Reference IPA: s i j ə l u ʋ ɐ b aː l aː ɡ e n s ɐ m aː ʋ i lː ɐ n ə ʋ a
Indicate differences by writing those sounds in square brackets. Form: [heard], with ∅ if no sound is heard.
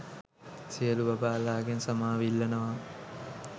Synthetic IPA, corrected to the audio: s i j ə l u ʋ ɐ b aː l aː ɡ e n s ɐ m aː ʋ i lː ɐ n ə ʋ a